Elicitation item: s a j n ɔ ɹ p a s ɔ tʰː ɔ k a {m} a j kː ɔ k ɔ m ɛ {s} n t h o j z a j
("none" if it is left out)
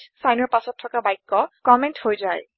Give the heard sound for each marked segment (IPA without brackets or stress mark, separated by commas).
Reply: b, none